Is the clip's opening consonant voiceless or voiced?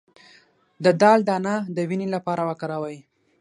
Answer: voiced